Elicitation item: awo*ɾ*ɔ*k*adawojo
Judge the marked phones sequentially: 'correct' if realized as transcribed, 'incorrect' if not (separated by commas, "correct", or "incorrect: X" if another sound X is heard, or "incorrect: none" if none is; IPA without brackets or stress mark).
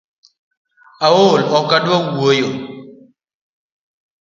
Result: incorrect: l, correct